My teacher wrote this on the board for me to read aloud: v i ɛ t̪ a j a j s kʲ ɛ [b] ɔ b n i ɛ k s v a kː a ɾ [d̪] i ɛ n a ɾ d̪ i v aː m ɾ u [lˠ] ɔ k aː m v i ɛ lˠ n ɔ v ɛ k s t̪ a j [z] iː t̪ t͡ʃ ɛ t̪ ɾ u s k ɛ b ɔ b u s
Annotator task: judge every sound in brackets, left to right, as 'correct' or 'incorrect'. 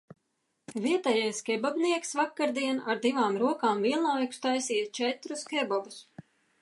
correct, correct, incorrect: none, incorrect: s

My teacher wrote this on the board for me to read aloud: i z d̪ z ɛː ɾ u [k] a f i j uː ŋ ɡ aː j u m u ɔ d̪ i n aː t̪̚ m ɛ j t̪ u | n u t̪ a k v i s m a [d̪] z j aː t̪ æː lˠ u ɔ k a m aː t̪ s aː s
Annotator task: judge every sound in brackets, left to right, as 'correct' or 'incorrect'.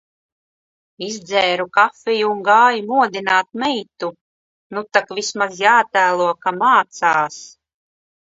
correct, incorrect: none

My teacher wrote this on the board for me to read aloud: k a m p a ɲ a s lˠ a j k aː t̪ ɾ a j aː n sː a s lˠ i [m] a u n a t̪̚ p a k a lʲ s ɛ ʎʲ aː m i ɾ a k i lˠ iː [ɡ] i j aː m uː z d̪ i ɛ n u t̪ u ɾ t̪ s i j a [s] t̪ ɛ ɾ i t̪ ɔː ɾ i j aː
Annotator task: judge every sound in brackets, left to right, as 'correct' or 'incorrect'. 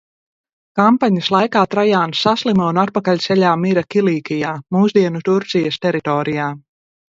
correct, incorrect: k, correct

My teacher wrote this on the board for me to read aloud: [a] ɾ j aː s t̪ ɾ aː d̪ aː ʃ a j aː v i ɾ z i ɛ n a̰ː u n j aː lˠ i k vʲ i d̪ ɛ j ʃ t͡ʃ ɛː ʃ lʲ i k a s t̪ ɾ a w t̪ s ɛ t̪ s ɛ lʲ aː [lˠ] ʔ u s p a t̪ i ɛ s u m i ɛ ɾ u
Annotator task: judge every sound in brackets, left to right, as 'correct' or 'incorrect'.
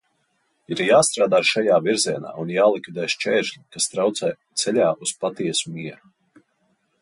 incorrect: i, incorrect: none

